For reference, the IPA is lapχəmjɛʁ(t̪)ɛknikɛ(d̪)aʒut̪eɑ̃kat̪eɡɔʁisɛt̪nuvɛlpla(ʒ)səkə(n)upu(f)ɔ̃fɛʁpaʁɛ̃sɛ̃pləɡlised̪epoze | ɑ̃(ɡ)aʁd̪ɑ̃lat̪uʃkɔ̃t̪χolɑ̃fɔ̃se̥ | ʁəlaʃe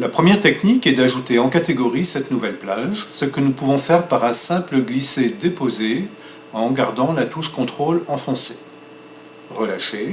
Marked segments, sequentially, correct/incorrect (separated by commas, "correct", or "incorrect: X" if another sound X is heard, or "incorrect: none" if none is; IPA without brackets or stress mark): correct, correct, correct, correct, incorrect: v, correct